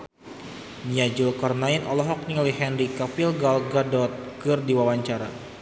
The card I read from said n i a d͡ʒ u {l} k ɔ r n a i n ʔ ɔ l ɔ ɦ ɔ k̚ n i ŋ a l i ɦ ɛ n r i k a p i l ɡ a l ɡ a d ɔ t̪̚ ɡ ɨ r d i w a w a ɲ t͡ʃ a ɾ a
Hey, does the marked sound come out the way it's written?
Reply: yes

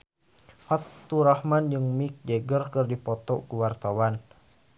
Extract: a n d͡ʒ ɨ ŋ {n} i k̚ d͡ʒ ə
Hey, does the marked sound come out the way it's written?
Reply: no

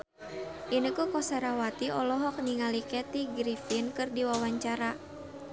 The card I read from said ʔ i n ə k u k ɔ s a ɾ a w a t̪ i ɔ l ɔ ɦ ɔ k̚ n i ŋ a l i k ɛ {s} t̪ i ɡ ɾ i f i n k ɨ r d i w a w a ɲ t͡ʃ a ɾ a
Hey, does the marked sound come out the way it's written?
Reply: no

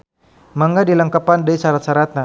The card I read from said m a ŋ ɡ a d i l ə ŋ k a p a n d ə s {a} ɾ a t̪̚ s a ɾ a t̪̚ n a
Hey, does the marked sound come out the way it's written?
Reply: yes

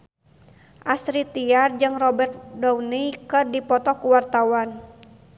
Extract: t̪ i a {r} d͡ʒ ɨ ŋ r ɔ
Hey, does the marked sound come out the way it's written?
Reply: yes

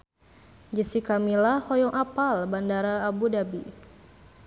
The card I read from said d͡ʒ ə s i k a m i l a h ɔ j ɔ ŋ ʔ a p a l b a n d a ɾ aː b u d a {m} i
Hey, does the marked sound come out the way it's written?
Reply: no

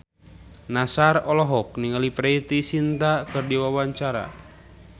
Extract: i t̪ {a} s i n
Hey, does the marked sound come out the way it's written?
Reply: no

